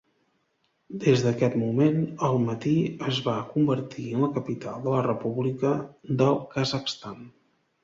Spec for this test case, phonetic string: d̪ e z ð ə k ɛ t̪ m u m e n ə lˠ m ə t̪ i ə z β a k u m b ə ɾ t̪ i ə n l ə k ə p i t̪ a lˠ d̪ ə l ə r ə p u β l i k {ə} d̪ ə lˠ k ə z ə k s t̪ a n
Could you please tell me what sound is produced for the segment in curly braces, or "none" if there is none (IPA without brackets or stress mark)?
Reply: ə